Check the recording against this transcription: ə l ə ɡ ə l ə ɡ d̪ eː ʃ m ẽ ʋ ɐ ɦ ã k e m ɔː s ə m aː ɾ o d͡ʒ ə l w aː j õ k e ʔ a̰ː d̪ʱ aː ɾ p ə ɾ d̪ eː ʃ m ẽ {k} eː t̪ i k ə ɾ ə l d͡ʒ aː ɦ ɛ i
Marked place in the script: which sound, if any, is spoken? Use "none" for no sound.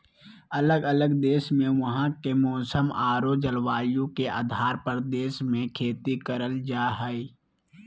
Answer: kʰ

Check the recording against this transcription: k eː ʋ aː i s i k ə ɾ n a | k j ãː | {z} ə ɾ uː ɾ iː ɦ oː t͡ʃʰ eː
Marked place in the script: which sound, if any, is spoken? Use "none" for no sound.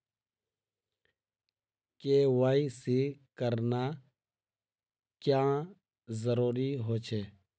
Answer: z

